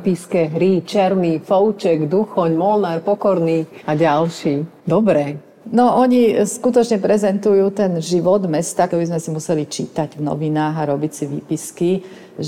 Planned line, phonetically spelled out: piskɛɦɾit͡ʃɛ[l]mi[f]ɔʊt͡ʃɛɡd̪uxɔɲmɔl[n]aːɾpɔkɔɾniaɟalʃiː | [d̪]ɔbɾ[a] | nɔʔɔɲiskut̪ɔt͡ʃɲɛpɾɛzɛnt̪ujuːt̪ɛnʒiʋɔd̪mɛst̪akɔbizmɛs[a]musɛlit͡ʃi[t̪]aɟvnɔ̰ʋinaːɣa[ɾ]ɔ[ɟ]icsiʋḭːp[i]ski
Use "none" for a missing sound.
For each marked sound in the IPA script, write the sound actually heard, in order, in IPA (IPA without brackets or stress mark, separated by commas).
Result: ɾ, f, n, d̪, ɛ, i, t̪, ɾ, b, i